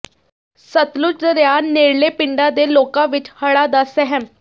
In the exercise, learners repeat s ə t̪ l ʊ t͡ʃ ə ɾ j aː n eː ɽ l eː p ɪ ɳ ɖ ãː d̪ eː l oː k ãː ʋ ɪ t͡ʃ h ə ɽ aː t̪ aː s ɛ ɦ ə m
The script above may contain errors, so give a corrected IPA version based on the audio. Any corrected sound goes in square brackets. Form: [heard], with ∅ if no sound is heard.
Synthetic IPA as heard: s ə t̪ l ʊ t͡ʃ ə ɾ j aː n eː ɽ l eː p ɪ ɳ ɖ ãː d̪ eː l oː k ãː ʋ ɪ t͡ʃ h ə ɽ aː [d̪] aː s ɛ ɦ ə m